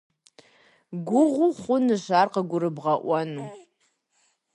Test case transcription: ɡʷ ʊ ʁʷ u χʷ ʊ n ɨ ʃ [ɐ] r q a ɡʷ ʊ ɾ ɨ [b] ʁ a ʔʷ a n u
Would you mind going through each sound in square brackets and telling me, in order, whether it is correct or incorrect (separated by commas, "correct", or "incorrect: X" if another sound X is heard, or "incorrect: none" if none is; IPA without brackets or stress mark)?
incorrect: a, correct